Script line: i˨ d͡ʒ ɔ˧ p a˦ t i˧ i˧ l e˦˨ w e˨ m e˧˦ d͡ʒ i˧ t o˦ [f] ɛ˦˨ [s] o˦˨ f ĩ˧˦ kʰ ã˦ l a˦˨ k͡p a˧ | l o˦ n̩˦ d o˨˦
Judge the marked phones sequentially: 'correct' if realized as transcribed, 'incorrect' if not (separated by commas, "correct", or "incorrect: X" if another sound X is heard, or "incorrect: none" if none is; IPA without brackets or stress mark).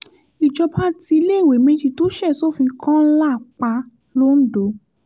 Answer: incorrect: ʃ, correct